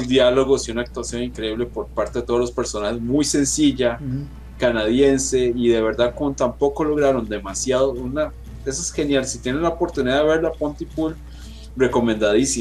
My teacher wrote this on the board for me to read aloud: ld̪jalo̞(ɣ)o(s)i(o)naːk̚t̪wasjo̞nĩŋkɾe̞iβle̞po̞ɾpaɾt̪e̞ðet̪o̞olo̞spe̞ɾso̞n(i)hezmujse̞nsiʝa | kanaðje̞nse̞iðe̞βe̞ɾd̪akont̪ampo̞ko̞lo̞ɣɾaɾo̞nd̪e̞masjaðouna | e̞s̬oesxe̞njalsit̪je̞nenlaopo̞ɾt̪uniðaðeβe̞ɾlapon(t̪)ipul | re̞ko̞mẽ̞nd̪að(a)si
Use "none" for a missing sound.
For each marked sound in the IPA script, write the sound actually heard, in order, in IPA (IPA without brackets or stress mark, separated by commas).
ɣ, s, u, a, t̪, i